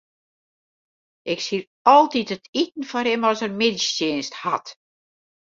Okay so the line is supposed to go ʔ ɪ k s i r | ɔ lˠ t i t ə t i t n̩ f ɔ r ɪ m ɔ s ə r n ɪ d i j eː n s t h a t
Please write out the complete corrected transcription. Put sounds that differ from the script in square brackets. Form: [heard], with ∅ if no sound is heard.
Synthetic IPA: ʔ ɪ k s i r | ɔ lˠ t i t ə t i t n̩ f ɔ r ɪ m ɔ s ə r [m] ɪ d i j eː n s t h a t